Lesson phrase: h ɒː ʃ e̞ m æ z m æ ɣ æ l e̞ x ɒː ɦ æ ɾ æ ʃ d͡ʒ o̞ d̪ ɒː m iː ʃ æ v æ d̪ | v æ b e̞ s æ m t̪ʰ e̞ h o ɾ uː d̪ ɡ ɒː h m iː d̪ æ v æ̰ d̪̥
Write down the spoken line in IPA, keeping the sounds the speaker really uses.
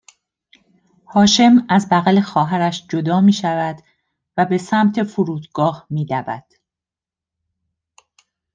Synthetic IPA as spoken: h ɒː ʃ e̞ m æ z b æ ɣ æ l e̞ x ɒː ɦ æ ɾ æ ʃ d͡ʒ o̞ d̪ ɒː m iː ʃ æ v æ d̪ | v æ b e̞ s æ m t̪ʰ e̞ f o ɾ uː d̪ ɡ ɒː h m iː d̪ æ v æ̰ d̪̥